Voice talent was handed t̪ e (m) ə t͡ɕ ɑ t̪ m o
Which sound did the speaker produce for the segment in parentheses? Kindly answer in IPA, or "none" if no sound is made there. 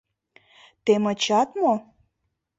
m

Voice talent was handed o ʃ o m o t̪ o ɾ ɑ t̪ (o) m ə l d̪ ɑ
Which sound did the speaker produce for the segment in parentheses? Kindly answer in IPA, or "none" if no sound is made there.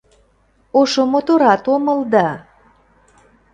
o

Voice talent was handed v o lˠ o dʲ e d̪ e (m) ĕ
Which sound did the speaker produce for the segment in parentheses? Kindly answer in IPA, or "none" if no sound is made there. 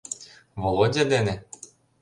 n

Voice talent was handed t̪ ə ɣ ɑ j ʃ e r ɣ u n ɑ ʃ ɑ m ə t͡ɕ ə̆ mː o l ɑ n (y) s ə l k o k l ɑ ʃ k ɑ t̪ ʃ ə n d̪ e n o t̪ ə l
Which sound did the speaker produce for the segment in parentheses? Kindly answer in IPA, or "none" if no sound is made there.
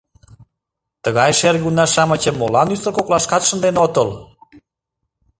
y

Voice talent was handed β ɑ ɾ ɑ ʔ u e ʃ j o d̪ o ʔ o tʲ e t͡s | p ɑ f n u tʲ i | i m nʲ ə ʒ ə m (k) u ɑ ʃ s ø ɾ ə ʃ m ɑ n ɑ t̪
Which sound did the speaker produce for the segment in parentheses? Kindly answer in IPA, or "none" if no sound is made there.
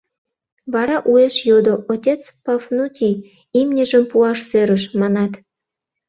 p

